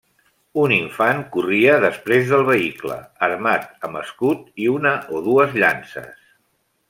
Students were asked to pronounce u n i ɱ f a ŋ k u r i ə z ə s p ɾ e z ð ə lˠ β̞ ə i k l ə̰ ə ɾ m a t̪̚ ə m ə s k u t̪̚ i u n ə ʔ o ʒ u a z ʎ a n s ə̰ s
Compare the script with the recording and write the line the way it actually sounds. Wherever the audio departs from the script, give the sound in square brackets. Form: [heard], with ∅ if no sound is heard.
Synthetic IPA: u n i ɱ f a ŋ k u r i ə [ð] ə s p ɾ e z ð ə lˠ β̞ ə i k l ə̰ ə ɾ m a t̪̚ ə m ə s k u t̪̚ i u n ə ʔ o [ð] u [ə] z ʎ a n s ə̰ s